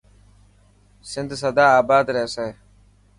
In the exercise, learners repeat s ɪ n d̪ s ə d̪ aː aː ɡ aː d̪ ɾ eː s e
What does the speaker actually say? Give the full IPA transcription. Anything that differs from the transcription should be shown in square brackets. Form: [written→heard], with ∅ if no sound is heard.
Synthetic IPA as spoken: s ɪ n d̪ s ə d̪ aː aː [ɡ→b] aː d̪ ɾ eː s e